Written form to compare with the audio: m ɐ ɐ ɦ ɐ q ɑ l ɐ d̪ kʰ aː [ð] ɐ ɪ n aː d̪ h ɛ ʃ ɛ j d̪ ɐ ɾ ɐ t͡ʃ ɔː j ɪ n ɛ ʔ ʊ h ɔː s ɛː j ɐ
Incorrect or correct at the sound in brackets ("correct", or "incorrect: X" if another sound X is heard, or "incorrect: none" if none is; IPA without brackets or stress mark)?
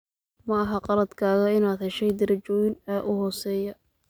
incorrect: ɣ